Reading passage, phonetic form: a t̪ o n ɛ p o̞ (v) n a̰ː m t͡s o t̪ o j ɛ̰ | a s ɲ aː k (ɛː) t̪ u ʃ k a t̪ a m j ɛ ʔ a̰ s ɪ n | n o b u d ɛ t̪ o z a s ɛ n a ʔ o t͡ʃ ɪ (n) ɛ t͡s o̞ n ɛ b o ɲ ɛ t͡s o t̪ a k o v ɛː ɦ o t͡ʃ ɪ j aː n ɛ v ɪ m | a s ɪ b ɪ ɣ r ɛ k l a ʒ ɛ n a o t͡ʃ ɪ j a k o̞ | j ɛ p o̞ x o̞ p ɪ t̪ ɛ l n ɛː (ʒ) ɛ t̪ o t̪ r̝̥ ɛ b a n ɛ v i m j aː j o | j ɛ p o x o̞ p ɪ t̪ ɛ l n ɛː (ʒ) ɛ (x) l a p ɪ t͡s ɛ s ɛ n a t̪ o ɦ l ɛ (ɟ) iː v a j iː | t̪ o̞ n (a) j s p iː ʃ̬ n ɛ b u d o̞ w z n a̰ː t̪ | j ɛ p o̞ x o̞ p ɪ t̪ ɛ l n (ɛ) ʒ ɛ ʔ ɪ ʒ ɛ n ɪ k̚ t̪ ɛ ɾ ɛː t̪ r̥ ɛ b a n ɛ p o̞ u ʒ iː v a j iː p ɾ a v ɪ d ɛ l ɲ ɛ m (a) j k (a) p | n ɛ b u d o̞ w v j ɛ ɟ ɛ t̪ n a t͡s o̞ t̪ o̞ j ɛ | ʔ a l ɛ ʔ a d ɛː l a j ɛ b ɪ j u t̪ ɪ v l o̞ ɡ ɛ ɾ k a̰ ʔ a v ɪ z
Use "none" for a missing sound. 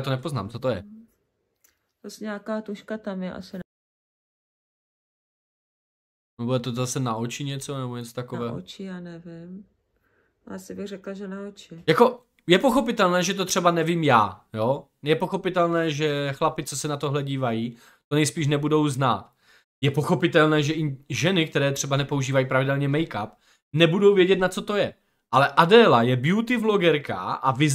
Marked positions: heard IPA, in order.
z, aː, ɲ, ʒ, ʒ, x, ɟ, ɛ, ɛː, ɛ, a

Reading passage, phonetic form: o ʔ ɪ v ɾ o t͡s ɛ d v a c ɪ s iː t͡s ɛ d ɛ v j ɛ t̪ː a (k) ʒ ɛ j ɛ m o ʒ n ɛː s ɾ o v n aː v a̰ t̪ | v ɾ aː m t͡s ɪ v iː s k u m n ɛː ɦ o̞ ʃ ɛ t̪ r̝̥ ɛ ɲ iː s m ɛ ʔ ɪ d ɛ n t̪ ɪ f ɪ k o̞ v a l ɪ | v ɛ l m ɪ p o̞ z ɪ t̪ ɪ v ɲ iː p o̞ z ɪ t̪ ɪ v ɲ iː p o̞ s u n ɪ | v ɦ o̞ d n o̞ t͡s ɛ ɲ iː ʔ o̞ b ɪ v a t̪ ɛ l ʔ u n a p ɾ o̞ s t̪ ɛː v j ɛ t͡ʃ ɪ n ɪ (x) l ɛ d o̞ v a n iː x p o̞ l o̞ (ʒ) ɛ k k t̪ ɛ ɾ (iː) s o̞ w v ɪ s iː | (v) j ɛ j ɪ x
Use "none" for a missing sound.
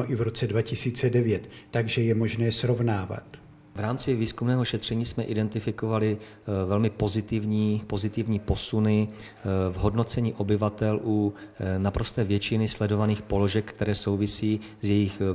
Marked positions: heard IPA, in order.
ɡ, s, ʒ, ɛː, z

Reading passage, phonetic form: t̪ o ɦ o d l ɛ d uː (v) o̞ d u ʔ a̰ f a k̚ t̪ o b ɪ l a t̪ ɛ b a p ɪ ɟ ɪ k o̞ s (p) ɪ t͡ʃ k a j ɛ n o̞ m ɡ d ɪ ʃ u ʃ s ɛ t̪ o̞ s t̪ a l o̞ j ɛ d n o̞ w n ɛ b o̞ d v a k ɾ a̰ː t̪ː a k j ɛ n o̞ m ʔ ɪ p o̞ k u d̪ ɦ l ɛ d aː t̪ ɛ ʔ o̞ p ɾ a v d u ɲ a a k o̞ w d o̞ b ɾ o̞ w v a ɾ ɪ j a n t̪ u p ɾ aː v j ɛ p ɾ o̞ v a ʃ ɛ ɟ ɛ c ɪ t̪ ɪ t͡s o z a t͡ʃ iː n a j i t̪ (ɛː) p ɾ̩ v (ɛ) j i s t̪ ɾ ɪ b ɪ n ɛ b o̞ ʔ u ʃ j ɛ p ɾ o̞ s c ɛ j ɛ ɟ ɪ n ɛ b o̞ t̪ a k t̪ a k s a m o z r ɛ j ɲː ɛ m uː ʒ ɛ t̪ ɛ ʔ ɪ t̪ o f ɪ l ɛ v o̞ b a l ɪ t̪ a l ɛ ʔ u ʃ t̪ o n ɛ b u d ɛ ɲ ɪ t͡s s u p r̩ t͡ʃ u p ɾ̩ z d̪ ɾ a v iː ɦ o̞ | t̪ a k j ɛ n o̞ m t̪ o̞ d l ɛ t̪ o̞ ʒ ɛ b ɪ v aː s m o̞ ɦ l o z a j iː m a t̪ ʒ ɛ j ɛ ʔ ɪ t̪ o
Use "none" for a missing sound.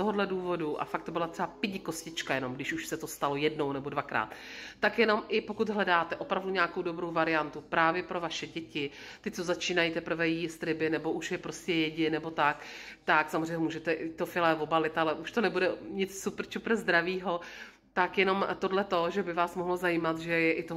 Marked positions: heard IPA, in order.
v, c, ɛ, ɛ

